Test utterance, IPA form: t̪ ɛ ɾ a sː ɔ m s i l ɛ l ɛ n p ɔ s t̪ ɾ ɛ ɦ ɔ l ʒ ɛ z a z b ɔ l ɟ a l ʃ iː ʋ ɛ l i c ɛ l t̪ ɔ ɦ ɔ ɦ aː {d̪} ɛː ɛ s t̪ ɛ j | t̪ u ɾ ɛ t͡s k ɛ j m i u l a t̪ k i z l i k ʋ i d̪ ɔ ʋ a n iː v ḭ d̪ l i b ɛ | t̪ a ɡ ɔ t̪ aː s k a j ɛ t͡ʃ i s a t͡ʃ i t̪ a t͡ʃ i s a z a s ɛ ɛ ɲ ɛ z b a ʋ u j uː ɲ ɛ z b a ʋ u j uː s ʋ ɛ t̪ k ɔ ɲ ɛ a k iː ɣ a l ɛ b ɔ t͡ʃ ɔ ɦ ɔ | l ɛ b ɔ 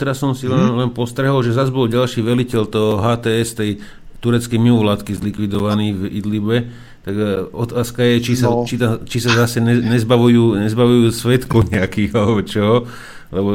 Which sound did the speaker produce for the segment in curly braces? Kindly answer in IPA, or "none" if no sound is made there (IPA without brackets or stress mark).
t̪